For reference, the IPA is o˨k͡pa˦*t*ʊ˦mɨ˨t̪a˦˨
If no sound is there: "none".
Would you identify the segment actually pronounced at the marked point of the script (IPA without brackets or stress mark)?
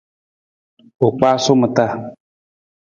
s